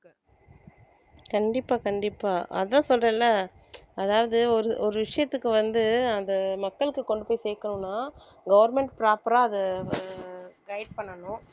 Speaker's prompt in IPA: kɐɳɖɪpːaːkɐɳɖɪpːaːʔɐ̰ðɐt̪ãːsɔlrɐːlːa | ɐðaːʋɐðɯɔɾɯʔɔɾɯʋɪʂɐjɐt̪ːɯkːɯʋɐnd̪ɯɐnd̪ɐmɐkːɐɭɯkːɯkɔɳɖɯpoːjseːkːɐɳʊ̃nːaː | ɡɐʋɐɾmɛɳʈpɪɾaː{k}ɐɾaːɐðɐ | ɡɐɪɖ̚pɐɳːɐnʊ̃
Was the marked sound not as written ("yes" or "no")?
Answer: yes